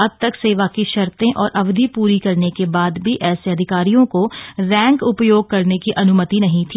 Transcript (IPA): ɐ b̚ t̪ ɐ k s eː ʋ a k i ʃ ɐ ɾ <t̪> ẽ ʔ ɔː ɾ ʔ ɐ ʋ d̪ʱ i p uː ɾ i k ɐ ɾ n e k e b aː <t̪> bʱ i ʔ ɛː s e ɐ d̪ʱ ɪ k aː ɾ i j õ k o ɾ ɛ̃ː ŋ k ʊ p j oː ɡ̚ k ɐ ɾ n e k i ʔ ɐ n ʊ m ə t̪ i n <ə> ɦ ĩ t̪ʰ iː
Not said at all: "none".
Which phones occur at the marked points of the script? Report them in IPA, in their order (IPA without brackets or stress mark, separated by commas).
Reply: t̪, d̪, ɐ